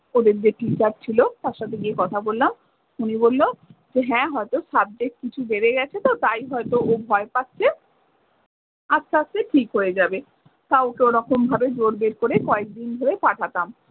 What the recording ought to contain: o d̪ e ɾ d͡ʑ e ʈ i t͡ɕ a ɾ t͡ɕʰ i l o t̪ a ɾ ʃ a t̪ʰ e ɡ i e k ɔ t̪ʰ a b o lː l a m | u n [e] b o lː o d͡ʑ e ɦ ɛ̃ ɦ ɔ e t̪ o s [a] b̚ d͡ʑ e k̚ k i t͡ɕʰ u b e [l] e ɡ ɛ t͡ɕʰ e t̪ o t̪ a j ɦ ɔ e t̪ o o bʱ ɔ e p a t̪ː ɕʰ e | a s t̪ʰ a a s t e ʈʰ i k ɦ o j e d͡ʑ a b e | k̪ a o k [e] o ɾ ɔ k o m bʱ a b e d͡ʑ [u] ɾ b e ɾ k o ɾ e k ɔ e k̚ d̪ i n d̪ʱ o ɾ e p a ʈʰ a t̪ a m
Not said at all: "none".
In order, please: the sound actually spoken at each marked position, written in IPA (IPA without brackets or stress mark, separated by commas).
i, a, ɾ, e, o